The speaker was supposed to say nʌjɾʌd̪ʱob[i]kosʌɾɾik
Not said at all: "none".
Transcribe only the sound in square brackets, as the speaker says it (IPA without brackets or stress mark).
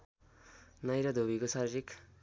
i